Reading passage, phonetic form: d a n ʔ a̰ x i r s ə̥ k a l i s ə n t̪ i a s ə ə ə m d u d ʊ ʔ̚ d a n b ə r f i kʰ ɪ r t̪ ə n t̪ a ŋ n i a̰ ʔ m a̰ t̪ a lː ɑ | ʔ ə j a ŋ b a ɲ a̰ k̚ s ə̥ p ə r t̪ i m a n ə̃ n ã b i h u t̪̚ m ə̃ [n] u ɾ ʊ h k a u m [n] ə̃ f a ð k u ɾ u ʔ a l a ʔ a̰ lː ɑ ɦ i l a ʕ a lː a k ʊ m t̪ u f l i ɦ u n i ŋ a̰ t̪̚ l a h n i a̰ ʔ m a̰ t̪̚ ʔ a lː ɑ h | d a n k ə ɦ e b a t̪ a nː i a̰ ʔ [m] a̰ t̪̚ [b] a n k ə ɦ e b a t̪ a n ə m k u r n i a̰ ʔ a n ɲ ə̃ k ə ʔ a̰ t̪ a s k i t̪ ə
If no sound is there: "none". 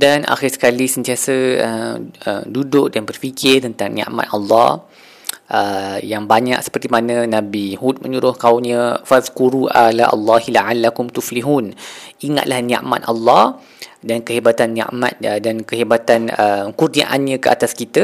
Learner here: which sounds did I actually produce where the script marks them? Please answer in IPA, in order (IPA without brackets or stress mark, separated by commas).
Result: ɲ, ɲ, m, d